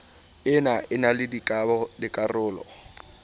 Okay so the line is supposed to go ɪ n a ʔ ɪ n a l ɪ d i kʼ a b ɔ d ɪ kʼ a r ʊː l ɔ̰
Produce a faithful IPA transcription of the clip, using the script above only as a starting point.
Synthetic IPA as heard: ɪ n a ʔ ɪ n a l ɪ d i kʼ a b ɔ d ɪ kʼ a r ʊː l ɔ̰